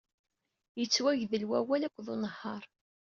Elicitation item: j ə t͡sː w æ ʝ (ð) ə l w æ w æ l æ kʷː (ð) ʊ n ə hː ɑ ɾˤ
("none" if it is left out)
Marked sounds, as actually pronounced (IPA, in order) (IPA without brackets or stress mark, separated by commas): ð, ð